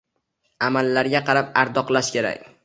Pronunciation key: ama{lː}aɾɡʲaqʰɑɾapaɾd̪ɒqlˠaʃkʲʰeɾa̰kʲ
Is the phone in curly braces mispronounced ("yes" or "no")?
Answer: no